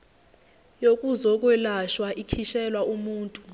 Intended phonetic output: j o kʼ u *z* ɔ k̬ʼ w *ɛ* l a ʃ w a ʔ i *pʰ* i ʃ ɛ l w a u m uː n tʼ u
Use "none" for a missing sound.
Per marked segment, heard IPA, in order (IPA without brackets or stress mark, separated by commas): z, ɛ, kʰ